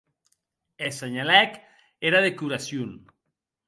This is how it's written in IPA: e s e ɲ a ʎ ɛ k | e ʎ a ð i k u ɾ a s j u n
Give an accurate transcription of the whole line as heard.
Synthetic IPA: e s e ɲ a l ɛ k | e ɾ a ð e k u ɾ a s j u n